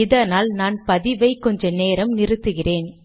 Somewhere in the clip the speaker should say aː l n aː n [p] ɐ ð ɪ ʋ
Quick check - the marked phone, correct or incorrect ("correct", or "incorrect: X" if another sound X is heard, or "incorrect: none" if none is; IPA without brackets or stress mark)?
correct